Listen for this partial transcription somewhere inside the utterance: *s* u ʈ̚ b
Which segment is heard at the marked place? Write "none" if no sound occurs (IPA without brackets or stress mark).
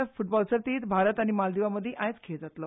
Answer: f